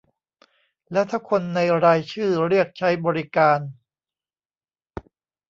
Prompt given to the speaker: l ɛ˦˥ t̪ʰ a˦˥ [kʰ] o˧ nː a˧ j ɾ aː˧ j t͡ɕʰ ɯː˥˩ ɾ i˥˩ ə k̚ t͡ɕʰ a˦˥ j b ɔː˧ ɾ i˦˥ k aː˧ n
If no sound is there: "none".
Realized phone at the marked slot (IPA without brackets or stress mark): kʰ